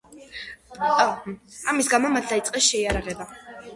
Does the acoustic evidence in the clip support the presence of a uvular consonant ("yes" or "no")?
yes